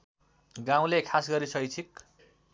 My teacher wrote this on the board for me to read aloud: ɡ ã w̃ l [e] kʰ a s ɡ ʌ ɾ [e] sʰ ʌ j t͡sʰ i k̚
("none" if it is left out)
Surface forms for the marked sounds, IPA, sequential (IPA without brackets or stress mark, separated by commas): e, i